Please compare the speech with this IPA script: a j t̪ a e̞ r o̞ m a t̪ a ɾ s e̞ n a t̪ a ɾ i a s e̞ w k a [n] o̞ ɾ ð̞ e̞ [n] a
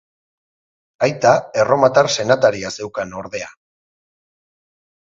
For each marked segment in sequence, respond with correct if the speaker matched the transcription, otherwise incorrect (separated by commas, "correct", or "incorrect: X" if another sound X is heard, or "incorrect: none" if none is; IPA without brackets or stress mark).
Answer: correct, incorrect: none